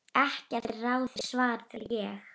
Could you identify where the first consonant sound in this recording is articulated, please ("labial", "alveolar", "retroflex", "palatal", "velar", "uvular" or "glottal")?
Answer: glottal